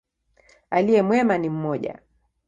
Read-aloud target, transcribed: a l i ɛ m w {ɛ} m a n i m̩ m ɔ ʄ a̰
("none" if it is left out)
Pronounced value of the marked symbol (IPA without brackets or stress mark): ɛ